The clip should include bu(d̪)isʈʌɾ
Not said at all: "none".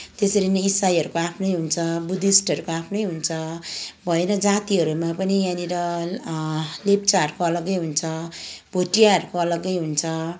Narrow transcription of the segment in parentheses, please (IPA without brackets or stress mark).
d̪